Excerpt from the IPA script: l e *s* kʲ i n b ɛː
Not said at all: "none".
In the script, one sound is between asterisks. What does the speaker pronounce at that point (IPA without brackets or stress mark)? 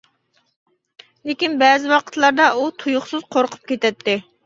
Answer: none